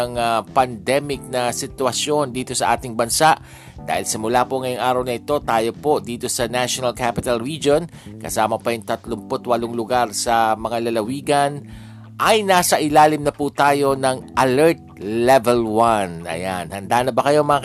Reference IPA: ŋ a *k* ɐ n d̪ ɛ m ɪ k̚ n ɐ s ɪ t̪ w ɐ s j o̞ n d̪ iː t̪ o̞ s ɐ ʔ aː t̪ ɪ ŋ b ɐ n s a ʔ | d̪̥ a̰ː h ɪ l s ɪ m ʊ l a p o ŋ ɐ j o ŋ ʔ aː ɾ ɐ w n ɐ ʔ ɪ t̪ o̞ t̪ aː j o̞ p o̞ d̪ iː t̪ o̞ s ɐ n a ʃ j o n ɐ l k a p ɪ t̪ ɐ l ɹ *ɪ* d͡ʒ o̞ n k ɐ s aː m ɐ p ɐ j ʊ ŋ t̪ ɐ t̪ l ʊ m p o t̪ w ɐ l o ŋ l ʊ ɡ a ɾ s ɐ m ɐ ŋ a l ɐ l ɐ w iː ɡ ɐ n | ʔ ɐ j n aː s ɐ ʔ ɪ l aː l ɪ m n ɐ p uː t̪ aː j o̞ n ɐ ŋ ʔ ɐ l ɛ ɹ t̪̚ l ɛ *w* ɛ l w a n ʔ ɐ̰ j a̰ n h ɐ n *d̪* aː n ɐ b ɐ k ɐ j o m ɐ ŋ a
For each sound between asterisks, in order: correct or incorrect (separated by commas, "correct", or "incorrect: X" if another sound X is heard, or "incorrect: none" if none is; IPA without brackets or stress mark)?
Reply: incorrect: p, incorrect: i, incorrect: v, correct